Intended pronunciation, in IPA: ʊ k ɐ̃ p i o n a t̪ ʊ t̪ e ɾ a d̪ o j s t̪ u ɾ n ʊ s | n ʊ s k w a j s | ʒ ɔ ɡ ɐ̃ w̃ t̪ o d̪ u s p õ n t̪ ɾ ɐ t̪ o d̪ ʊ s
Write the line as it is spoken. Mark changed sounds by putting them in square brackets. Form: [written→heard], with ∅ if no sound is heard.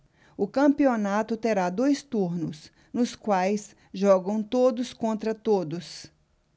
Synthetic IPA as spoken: ʊ k ɐ̃ p i o n a t̪ ʊ t̪ e ɾ a d̪ o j s t̪ u ɾ n ʊ s | n ʊ s k w a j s | ʒ ɔ ɡ ɐ̃ w̃ t̪ o d̪ [u→ʊ] s [p→k] õ n t̪ ɾ ɐ t̪ o d̪ ʊ s